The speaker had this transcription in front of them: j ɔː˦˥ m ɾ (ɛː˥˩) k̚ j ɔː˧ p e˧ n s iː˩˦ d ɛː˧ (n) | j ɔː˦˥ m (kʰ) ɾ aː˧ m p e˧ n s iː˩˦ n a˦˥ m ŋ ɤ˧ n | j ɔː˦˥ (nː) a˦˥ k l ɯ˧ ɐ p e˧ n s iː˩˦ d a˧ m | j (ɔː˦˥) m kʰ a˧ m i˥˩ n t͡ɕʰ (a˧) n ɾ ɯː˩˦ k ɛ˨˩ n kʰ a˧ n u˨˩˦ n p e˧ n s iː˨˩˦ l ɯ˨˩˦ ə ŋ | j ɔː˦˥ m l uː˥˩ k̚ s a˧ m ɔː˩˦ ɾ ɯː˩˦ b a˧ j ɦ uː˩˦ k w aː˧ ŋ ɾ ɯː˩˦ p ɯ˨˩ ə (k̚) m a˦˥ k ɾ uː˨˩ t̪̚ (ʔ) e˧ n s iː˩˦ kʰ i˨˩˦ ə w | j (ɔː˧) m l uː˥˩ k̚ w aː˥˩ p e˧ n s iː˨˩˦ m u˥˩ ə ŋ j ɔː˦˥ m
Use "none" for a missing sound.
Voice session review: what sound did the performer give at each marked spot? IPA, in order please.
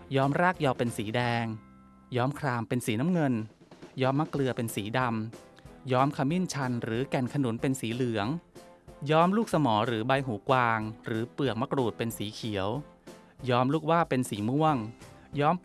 aː˥˩, ŋ, kʰ, mː, ɔː˦˥, a˧, k̚, p, ɔː˦˥

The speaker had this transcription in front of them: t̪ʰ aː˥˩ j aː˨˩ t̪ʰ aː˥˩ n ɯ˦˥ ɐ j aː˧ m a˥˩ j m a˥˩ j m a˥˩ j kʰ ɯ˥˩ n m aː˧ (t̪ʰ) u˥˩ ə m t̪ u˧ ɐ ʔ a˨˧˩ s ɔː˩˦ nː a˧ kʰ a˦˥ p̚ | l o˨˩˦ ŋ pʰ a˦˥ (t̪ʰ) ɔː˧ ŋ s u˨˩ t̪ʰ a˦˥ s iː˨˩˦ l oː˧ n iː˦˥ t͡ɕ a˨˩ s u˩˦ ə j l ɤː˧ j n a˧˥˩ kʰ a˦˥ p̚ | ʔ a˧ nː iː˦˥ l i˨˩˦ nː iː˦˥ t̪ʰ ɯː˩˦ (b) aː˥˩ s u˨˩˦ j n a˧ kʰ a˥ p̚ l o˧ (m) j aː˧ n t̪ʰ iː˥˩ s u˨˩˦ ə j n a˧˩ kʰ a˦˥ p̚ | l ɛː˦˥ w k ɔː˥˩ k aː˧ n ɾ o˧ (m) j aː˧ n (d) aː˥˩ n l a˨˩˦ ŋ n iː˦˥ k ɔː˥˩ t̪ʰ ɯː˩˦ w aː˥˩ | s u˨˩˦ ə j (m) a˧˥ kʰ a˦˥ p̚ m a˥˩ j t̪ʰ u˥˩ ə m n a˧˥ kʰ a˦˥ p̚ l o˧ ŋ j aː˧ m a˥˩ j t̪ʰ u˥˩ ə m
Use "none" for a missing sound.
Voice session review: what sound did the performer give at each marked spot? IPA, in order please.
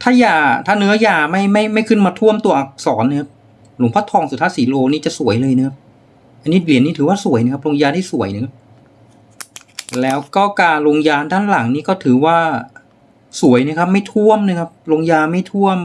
t̪ʰ, t̪ʰ, w, ŋ, ŋ, d, n

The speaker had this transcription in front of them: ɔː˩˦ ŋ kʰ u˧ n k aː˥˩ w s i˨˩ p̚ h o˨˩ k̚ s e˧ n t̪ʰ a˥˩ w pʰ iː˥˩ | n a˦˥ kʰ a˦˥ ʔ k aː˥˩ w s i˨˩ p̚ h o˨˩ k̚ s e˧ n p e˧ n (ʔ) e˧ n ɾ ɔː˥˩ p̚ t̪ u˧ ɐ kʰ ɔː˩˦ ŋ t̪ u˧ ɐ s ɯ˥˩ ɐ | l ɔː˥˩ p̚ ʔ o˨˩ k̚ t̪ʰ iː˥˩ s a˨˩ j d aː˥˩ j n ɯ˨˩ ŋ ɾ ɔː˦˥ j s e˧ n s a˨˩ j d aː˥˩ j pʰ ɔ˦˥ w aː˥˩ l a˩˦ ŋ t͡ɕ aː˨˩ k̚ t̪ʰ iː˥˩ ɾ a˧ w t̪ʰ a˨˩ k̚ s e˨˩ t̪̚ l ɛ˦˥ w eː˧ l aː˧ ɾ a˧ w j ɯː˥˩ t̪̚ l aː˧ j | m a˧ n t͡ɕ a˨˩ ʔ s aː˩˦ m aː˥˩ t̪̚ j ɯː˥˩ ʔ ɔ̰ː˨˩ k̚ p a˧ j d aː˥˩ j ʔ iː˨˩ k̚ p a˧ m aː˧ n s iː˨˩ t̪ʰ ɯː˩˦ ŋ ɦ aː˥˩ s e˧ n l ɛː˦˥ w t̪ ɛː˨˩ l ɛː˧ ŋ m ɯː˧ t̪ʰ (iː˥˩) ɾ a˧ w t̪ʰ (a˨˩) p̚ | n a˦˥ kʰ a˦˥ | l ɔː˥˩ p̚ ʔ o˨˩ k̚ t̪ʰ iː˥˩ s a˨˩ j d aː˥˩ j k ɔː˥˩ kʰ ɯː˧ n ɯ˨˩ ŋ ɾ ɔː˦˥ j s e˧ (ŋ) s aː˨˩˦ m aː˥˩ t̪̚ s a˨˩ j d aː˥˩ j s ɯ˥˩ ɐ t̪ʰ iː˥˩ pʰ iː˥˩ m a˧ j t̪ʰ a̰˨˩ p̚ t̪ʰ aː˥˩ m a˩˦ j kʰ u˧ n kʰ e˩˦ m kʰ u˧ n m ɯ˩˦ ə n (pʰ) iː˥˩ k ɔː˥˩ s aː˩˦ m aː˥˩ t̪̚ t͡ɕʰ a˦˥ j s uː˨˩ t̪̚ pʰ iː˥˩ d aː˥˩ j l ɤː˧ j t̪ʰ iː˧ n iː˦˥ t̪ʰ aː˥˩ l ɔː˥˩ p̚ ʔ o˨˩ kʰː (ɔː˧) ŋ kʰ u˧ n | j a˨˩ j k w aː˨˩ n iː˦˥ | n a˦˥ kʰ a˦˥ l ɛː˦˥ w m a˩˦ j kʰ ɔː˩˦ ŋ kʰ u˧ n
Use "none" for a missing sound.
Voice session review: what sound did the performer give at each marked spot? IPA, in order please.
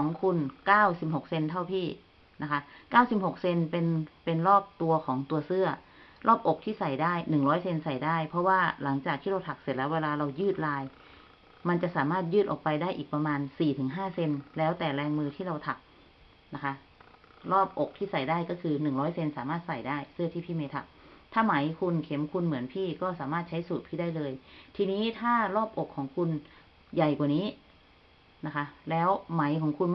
p, iː˥˩, a˨˩, n, pʰ, ɔː˩˦

